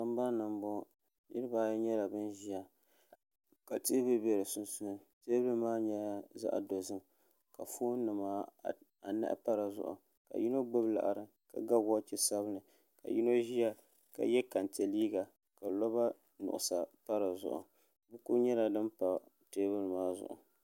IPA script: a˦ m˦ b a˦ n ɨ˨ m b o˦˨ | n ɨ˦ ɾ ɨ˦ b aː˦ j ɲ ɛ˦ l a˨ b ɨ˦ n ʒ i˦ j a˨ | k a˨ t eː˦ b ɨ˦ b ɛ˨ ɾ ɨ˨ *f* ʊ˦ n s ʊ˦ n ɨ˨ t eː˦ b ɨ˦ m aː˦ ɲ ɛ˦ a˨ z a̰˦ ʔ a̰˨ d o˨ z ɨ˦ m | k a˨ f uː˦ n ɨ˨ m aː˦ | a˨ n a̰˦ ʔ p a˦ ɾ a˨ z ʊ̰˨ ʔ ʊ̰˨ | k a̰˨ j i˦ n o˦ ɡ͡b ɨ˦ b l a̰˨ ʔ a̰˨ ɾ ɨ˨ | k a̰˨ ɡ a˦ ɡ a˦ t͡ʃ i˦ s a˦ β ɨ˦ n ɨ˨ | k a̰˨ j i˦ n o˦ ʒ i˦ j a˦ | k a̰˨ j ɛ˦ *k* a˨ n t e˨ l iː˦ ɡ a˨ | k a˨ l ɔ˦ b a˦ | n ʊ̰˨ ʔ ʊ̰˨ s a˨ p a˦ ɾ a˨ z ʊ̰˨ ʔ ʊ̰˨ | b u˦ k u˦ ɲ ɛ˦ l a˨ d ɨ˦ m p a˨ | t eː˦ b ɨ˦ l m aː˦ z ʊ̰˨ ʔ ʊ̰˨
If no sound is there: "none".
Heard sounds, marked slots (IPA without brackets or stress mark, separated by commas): s, k